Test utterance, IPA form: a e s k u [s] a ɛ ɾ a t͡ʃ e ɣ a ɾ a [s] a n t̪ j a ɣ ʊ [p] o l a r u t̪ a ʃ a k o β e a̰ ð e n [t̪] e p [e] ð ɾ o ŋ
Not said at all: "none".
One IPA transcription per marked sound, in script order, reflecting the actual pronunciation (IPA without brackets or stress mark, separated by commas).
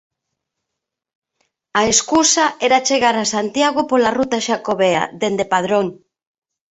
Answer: s, s, p, d̪, a